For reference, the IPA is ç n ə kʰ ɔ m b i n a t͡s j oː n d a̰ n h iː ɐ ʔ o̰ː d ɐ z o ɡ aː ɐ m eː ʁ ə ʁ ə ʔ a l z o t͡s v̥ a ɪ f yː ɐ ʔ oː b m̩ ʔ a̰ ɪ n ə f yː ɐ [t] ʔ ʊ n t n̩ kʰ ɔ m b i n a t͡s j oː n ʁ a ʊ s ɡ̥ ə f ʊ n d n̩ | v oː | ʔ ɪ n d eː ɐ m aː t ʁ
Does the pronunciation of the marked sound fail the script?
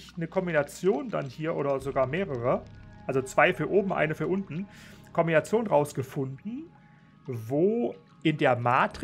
yes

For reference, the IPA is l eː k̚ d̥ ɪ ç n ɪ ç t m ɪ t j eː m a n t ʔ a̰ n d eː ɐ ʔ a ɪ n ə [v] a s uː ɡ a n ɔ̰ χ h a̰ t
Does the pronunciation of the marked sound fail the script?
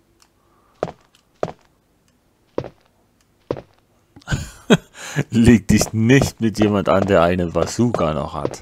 no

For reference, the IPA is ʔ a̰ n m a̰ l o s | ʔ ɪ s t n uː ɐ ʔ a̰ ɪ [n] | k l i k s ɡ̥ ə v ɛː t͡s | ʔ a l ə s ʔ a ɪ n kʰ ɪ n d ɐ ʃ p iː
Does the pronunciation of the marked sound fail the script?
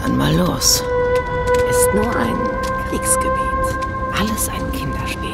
no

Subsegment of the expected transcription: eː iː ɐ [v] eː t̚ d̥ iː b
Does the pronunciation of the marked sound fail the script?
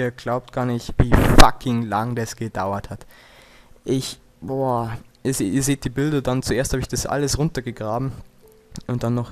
yes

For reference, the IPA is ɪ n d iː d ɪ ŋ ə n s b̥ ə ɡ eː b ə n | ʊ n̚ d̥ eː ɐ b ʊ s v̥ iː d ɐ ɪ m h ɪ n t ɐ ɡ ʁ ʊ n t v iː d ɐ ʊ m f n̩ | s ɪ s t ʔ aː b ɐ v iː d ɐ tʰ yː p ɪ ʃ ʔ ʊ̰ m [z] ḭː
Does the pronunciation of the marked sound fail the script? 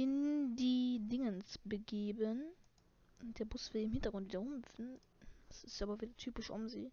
no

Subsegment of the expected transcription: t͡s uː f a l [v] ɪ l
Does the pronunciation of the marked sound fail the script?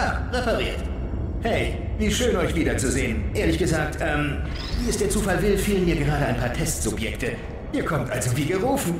no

